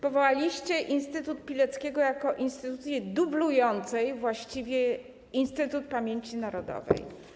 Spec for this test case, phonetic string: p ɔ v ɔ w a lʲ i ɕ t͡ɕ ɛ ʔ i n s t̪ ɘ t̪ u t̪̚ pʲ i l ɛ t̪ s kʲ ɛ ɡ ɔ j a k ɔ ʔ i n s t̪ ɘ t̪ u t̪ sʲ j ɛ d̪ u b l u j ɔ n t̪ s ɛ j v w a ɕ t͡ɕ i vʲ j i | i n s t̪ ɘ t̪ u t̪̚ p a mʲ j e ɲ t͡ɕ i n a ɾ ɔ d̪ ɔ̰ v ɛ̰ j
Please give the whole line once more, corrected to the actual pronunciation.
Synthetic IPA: p ɔ v ɔ w a lʲ i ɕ t͡ɕ ɛ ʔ i n s t̪ ɘ t̪ u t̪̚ pʲ i l ɛ t̪ s kʲ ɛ ɡ ɔ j a k ɔ ʔ i n s t̪ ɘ t̪ u t̪ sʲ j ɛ d̪ u b l u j ɔ n t̪ s ɛ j v w a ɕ t͡ɕ i vʲ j ɛ | i n s t̪ ɘ t̪ u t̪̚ p a mʲ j e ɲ t͡ɕ i n a ɾ ɔ d̪ ɔ̰ v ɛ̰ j